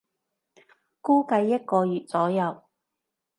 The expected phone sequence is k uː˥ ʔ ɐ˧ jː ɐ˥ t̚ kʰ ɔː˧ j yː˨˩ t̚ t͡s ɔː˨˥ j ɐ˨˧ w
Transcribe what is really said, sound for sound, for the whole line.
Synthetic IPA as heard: k uː˥ k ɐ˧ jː ɐ˥ t̚ k ɔː˧ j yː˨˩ t̚ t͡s ɔː˨˥ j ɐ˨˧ w